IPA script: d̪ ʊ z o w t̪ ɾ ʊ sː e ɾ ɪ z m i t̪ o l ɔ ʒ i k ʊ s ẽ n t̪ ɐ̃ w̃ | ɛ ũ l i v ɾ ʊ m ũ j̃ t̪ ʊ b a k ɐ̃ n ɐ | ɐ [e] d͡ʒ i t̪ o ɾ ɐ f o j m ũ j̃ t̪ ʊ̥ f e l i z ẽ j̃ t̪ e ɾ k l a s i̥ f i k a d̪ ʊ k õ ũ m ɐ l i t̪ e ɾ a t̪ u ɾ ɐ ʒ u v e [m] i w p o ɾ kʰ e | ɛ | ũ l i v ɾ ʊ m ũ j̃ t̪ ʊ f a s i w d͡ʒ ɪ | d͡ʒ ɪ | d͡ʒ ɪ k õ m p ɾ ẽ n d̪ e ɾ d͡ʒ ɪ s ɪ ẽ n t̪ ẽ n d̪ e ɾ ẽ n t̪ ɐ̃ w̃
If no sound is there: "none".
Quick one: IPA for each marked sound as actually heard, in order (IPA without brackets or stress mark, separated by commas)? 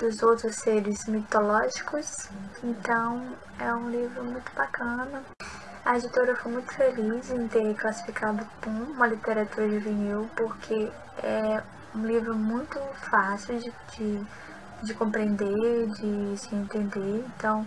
e, n